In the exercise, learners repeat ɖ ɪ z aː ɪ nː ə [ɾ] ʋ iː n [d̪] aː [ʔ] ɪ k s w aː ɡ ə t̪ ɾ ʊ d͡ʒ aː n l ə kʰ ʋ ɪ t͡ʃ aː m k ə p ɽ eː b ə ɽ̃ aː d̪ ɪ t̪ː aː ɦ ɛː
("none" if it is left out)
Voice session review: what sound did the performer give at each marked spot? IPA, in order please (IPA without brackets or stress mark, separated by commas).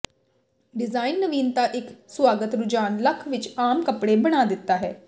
none, t̪, ʔ